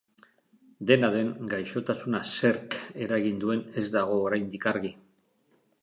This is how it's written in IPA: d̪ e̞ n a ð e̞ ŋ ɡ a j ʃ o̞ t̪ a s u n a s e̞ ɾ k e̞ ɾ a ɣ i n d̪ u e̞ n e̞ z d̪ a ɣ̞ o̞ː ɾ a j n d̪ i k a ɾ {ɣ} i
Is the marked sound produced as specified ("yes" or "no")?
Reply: yes